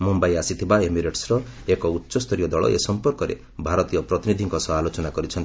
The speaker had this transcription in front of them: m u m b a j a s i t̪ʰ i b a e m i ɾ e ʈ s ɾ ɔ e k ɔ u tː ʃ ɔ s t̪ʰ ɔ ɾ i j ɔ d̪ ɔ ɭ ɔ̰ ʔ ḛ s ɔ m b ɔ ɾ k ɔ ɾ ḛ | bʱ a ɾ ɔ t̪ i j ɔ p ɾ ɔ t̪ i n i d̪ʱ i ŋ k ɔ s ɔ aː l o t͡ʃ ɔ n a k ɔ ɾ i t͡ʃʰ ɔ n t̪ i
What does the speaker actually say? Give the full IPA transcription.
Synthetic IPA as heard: m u m b a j a s i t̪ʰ i b a e m i ɾ e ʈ s ɾ ɔ e k ɔ u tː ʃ ɔ s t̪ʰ ɔ ɾ i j ɔ d̪ ɔ ɭ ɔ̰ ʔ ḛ s ɔ m p ɔ ɾ k ɔ ɾ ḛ | bʱ a ɾ ɔ t̪ i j ɔ p ɾ ɔ t̪ i n i d̪ʱ i ŋ k ɔ s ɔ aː l o t͡ʃ ɔ n a k ɔ ɾ i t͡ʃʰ ɔ n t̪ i